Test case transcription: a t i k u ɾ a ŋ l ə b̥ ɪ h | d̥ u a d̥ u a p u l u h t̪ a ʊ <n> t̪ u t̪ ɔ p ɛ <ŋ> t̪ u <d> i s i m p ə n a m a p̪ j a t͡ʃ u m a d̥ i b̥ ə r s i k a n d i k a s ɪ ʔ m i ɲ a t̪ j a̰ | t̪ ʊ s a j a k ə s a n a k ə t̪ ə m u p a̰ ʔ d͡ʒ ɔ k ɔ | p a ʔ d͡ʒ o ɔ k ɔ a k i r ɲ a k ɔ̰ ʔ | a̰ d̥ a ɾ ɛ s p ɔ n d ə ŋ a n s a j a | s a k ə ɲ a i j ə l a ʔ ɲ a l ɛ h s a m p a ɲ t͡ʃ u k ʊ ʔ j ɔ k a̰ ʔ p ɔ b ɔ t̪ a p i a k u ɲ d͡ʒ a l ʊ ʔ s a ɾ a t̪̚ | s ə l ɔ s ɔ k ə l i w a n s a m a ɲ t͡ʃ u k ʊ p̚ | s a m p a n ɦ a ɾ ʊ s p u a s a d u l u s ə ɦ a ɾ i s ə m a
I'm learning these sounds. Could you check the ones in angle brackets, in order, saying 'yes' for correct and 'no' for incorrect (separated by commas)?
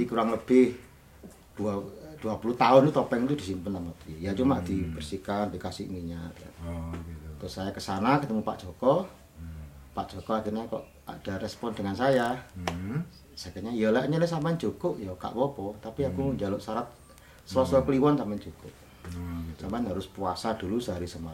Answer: yes, yes, yes